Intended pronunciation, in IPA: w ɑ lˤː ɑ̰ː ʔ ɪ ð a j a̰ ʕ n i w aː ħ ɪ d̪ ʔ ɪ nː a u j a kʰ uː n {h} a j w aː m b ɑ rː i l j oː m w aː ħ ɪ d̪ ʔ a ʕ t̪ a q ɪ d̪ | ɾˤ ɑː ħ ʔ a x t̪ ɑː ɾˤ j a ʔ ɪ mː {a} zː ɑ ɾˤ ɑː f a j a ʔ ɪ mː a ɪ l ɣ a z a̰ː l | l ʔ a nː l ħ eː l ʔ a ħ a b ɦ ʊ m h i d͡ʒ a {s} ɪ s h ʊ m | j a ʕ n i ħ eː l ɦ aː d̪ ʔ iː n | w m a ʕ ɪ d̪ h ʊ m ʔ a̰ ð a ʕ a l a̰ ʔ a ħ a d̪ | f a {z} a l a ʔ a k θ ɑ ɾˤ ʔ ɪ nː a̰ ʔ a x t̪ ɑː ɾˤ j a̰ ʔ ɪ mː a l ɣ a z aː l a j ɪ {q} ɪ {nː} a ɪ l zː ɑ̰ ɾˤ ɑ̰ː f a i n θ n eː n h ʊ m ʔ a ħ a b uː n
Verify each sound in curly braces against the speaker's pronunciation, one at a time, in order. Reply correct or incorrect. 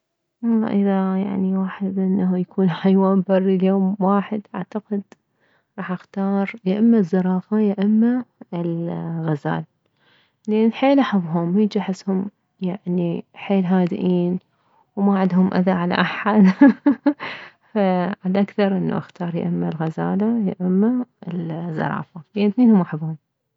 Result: incorrect: ħ, correct, incorrect: ħ, incorrect: ʕ, incorrect: ʔ, incorrect: mː

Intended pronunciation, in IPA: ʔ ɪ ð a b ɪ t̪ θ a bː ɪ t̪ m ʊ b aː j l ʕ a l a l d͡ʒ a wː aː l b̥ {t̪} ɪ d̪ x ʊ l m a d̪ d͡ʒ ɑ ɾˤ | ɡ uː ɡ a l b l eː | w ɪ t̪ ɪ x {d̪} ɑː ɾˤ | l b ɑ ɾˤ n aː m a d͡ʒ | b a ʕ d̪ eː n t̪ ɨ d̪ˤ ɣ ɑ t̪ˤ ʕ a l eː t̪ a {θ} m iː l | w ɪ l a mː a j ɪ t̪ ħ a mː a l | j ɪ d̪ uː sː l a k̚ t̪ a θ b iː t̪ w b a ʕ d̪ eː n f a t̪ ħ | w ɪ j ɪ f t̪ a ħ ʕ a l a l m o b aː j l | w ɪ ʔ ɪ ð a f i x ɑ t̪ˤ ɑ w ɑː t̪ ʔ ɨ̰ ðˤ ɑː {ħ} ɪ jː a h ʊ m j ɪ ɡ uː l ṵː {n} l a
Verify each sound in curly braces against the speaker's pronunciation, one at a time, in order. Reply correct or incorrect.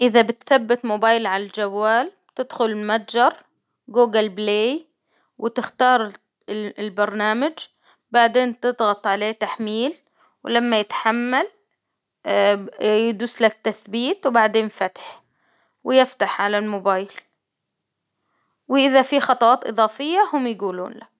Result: correct, incorrect: t̪, incorrect: ħ, incorrect: f, correct

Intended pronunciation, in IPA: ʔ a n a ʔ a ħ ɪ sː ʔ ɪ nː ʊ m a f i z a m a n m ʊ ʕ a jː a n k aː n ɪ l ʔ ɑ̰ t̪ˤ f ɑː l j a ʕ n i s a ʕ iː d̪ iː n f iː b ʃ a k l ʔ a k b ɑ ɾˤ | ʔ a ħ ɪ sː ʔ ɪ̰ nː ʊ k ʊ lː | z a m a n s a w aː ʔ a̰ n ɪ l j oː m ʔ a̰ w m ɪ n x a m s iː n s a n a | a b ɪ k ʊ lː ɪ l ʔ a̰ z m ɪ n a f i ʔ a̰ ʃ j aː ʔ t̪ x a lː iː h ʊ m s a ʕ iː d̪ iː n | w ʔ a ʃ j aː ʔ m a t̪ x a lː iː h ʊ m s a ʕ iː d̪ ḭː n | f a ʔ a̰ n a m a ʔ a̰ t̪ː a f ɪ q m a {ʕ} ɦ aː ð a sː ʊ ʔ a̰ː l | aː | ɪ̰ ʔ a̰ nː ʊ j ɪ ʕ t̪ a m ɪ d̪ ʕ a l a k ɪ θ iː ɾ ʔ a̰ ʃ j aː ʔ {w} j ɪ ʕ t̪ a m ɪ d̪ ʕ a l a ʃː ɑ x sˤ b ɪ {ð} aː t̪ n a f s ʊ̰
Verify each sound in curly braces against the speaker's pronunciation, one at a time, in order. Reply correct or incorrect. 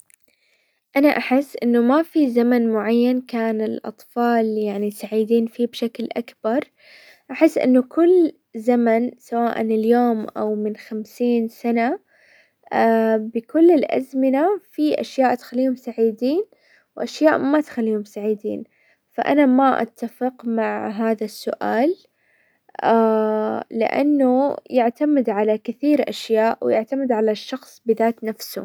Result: correct, correct, correct

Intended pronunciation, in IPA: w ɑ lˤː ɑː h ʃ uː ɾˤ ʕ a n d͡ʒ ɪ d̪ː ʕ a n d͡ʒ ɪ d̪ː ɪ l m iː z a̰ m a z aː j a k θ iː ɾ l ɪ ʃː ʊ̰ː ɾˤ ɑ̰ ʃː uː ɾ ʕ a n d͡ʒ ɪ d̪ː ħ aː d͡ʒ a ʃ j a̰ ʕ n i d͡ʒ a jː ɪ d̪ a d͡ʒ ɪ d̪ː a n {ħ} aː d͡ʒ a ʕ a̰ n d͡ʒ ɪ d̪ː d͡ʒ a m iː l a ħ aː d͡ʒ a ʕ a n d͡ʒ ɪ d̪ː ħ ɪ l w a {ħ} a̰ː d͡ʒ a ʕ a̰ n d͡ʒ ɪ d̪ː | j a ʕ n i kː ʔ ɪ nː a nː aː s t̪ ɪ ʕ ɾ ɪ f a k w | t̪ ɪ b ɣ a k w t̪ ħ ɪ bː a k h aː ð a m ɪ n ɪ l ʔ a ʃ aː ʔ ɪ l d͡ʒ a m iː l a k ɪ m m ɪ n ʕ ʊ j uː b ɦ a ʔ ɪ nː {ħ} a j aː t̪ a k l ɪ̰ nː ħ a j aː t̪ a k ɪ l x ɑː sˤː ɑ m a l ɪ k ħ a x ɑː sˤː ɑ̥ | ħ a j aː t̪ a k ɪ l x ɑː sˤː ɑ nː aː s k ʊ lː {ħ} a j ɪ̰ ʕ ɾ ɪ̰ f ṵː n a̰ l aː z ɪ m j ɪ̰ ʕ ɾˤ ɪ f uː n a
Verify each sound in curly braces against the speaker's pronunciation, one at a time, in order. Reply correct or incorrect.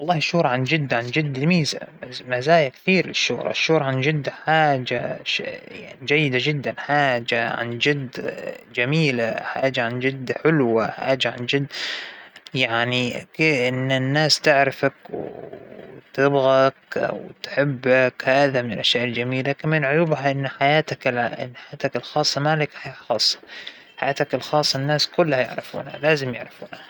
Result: correct, correct, correct, incorrect: h

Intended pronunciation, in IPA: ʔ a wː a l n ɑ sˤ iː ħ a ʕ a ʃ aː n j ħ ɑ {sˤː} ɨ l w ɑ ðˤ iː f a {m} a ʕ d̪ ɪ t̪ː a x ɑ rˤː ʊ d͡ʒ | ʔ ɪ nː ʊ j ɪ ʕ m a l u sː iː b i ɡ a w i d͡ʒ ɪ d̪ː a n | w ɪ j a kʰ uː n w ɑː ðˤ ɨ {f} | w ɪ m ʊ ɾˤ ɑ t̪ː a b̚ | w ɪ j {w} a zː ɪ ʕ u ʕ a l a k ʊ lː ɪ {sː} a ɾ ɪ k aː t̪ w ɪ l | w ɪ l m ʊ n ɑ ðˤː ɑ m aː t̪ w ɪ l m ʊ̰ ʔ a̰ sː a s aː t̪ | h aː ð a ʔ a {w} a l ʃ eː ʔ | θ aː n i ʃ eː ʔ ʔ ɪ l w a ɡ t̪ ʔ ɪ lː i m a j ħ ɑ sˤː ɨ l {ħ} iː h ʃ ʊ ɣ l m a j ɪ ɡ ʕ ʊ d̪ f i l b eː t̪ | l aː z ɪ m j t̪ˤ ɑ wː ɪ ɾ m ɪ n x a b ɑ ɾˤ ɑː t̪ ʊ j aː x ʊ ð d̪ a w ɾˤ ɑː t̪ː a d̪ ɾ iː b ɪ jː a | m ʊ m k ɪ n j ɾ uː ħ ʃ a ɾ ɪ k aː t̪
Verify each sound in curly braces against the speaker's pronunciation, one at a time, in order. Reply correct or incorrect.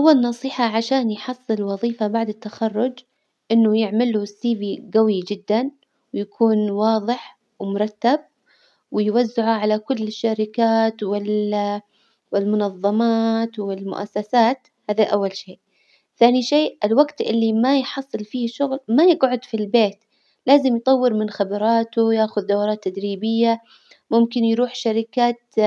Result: correct, incorrect: b, incorrect: ħ, correct, incorrect: ʃː, incorrect: wː, incorrect: f

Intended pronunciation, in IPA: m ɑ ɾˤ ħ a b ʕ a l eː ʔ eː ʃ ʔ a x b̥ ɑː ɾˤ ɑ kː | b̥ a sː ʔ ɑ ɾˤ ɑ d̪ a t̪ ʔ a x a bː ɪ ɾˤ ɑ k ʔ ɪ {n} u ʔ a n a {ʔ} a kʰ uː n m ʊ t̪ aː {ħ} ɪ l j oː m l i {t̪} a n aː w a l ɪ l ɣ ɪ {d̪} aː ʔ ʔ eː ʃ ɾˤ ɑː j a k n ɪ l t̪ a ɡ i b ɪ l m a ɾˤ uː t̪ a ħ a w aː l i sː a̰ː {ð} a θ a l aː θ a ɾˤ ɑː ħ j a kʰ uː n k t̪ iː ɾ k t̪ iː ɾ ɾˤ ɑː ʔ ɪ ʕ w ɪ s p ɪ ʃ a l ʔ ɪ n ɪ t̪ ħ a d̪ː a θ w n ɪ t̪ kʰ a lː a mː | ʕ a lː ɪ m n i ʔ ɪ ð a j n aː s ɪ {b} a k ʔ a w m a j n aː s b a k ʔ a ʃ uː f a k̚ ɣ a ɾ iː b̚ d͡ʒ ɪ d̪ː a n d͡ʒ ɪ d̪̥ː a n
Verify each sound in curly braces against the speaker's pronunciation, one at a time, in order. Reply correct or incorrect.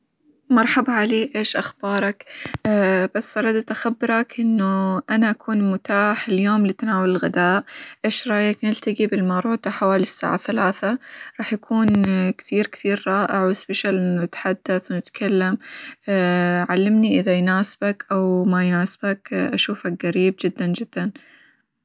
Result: incorrect: nː, correct, correct, correct, correct, incorrect: ʕ, correct

